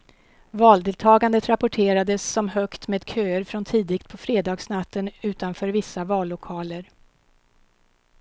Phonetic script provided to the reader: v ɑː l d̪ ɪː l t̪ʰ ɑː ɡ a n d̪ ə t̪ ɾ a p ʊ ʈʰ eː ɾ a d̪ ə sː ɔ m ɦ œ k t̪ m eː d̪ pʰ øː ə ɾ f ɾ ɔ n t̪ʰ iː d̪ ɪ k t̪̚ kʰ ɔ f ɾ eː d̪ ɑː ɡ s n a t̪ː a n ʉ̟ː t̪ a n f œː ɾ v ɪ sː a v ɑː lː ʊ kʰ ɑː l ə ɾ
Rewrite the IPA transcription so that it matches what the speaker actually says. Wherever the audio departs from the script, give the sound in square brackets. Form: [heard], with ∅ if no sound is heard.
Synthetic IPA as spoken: v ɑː l d̪ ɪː l t̪ʰ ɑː ɡ a n d̪ ə t̪ ɾ a p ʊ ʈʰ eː ɾ a d̪ ə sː ɔ m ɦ œ k t̪ m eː d̪ [kʰ] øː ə ɾ f ɾ ɔ n t̪ʰ iː d̪ ɪ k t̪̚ [pʰ] ɔ f ɾ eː d̪ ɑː ɡ s n a t̪ː [ə] n ʉ̟ː t̪ a n f œː ɾ v ɪ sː a v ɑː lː ʊ kʰ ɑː l ə ɾ